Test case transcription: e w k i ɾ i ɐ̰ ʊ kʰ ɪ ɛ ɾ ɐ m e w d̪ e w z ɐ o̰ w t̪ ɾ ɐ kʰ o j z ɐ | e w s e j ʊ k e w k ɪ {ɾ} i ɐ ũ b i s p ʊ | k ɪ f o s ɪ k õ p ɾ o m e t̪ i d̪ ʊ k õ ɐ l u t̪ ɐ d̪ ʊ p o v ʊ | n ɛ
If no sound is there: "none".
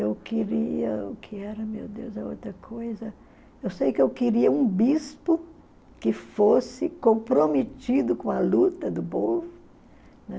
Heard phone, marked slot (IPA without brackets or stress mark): ɾ